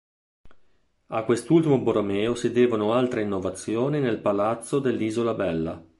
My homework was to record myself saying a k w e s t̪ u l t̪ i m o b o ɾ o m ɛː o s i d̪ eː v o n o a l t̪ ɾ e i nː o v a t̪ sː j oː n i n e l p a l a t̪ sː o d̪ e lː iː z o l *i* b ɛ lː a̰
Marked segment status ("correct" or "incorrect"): incorrect